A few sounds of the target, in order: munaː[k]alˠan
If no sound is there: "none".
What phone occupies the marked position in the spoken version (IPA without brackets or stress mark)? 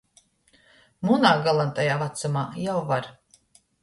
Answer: ɡ